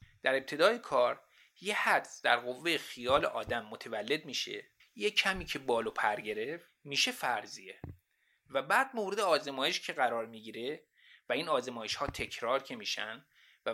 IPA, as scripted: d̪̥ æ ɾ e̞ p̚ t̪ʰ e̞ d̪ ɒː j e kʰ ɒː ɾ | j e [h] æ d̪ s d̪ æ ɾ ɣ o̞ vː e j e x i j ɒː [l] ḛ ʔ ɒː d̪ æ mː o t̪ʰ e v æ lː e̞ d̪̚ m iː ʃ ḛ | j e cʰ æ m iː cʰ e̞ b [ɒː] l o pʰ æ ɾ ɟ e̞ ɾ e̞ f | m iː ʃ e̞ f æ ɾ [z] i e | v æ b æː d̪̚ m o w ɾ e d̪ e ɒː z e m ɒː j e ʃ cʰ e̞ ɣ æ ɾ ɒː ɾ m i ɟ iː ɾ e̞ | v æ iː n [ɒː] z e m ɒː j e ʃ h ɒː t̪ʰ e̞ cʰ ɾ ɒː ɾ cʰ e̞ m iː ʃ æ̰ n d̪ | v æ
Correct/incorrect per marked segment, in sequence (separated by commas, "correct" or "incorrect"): correct, correct, correct, correct, correct